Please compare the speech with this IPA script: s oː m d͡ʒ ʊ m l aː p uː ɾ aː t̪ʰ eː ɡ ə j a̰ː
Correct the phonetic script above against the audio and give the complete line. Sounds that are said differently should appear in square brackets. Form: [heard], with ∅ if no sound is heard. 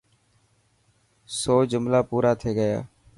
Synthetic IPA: s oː [∅] d͡ʒ ʊ m l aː p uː ɾ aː t̪ʰ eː ɡ ə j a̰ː